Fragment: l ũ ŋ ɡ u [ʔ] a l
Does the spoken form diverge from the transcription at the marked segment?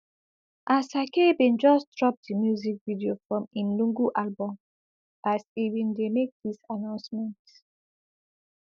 no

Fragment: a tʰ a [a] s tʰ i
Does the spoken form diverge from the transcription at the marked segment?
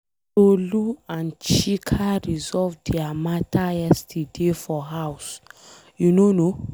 yes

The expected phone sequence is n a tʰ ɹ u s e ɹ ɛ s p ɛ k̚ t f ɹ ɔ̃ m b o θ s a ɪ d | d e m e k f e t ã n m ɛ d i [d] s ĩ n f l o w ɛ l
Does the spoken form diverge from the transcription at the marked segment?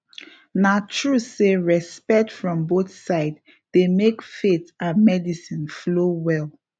yes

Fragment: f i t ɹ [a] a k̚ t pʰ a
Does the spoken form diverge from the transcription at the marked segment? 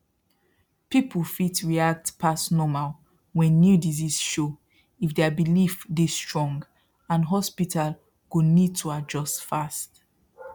yes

